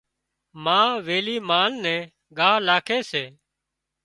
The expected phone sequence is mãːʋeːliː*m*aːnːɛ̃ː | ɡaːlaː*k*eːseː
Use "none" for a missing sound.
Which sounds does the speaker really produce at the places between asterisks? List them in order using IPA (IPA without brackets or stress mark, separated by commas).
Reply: m, kʰ